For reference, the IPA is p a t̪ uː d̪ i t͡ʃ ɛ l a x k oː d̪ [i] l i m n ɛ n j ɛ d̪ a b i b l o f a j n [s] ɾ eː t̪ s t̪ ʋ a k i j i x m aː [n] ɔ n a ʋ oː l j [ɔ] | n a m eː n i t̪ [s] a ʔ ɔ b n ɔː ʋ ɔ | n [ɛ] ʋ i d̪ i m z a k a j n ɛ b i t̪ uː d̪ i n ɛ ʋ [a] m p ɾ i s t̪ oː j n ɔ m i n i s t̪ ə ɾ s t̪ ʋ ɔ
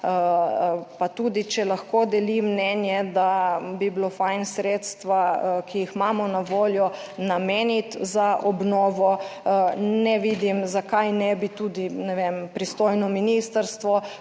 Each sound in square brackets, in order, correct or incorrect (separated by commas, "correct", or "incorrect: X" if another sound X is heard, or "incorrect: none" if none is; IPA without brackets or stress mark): incorrect: ɛ, correct, incorrect: m, correct, incorrect: z, correct, incorrect: e